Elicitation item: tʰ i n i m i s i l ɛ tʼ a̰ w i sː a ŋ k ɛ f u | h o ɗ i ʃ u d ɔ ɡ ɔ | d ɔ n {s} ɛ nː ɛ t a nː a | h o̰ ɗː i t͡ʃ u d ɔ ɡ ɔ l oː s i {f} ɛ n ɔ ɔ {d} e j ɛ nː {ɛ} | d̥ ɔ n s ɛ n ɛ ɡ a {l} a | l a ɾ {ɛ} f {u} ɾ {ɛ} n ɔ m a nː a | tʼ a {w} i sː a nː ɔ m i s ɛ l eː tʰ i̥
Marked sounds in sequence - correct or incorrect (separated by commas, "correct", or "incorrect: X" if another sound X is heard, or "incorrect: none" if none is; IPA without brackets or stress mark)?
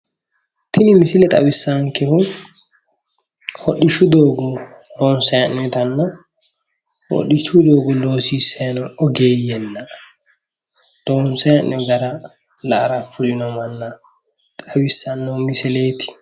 correct, incorrect: s, incorrect: ɡ, incorrect: a, incorrect: ɾ, incorrect: a, correct, incorrect: i, correct